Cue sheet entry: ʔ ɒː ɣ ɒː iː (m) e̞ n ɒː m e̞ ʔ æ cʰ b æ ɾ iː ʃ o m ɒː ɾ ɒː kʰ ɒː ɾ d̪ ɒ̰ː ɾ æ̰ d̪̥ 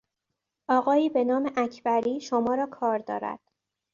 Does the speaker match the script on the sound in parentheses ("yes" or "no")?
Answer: no